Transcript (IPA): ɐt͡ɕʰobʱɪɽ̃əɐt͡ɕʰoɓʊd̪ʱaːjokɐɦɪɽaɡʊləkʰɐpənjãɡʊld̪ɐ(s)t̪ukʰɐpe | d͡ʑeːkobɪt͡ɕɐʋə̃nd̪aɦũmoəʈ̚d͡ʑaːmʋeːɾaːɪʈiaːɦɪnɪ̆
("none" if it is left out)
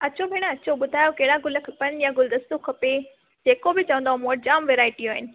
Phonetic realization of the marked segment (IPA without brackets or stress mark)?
s